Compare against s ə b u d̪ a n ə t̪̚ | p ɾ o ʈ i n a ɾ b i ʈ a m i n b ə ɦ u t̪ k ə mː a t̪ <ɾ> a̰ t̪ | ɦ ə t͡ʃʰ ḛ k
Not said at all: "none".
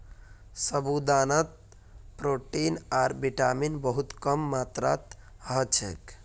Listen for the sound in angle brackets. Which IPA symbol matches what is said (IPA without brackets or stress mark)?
ɾ